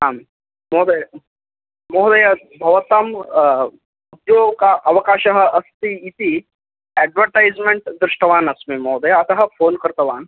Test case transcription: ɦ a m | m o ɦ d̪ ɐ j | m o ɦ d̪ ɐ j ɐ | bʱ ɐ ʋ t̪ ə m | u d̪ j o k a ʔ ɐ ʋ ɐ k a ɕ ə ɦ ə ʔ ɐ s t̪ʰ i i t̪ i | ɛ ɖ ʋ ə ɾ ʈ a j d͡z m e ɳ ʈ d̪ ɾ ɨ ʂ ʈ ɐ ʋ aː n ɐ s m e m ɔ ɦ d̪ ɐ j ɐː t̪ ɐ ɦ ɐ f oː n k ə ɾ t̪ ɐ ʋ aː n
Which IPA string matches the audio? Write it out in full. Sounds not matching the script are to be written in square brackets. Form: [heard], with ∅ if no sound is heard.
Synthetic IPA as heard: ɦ a m | m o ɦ d̪ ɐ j | m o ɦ d̪ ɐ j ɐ | bʱ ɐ ʋ t̪ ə m | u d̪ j o k a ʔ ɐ ʋ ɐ k a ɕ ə ɦ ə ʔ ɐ s [t̪] i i t̪ i | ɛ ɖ ʋ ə ɾ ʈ a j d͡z m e ɳ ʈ d̪ ɾ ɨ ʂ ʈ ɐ ʋ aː n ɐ s m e m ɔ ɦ d̪ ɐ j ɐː t̪ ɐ ɦ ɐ f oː n k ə ɾ t̪ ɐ ʋ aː n